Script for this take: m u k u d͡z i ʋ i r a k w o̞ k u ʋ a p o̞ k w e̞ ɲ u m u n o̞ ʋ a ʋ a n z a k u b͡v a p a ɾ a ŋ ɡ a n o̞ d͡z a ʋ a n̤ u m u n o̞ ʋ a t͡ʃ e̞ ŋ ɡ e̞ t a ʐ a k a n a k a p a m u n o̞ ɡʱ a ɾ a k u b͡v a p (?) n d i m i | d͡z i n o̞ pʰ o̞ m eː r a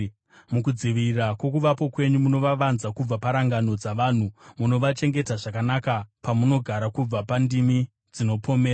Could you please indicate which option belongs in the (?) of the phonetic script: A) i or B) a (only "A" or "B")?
B